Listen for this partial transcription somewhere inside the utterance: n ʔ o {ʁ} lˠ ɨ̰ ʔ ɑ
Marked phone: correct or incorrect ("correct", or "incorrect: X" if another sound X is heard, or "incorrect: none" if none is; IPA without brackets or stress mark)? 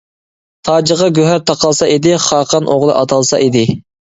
correct